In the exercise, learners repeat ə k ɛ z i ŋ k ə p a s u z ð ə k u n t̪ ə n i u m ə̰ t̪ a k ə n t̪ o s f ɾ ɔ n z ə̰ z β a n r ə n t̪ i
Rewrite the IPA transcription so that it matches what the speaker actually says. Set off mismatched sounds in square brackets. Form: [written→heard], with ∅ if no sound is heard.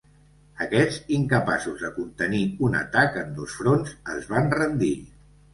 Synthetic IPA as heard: ə k ɛ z i ŋ k ə p a s u z ð ə k u n t̪ ə n i u [m→n] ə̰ t̪ a k ə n [t̪→d̪] o s f ɾ [ɔ→o] n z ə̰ z β a n r ə n [t̪→d̪] i